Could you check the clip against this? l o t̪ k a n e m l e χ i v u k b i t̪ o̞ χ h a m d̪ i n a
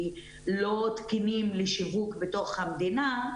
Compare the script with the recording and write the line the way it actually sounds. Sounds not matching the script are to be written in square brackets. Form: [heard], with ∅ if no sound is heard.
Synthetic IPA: l o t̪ k [i] n [i] m l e [ʃ] i v u k b [e] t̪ o̞ χ h a m d̪ i n a